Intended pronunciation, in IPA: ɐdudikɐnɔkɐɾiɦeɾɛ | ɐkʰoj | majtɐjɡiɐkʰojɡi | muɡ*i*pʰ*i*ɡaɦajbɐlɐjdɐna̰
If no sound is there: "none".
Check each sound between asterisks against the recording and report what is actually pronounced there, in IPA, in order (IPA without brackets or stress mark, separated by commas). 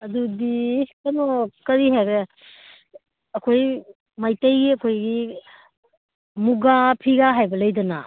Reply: a, i